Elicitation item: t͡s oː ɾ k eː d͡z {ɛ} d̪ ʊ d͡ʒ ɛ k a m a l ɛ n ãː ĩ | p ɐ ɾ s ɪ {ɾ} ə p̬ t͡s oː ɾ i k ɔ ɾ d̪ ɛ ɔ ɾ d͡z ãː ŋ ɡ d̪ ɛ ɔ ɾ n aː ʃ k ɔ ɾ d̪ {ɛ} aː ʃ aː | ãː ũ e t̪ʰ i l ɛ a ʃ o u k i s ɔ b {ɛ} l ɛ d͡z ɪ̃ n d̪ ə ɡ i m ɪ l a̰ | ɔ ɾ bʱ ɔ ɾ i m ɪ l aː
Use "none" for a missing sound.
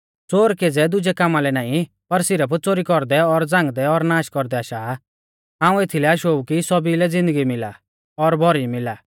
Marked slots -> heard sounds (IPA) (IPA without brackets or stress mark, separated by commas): ɛ, ɾ, ɛ, i